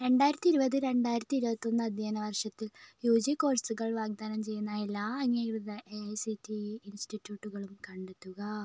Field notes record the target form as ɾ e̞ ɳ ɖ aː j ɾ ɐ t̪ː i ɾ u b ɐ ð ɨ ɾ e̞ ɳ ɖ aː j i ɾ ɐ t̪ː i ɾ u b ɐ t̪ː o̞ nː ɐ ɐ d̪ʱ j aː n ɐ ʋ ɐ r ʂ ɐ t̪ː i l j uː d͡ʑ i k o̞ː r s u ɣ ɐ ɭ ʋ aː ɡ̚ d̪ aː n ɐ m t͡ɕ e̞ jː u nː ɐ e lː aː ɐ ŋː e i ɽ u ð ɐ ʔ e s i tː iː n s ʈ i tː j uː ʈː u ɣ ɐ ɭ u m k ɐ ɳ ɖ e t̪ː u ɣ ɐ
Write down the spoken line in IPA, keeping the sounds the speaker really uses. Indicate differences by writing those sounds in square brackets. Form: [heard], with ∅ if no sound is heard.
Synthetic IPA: ɾ e̞ ɳ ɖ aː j ɾ ɐ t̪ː i ɾ u b ɐ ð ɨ ɾ e̞ ɳ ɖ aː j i ɾ ɐ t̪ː i ɾ u b ɐ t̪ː o̞ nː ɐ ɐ d̪ʱ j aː n ɐ ʋ ɐ r ʂ ɐ t̪ː i l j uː d͡ʑ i k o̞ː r s u ɣ ɐ ɭ ʋ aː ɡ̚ d̪ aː n ɐ m t͡ɕ e̞ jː u nː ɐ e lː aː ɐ ŋː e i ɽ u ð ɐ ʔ e s i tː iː n s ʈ i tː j uː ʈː u ɣ ɐ ɭ u m k ɐ ɳ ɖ e t̪ː u ɣ ɐ